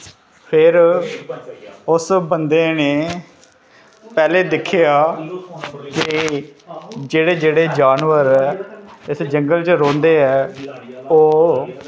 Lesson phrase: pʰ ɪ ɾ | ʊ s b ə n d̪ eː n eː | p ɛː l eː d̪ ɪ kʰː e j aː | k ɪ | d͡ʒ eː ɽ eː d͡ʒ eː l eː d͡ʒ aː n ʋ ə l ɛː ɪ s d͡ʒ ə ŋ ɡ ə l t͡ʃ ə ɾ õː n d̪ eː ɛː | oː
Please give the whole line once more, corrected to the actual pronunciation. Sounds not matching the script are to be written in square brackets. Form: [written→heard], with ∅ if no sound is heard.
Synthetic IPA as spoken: pʰ ɪ ɾ | ʊ s b ə n d̪ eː n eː | p ɛː l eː d̪ ɪ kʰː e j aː | k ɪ | d͡ʒ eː ɽ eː d͡ʒ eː [l→ɽ] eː d͡ʒ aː n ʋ ə [l→ɾ] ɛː ɪ s d͡ʒ ə ŋ ɡ ə l t͡ʃ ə ɾ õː n d̪ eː ɛː | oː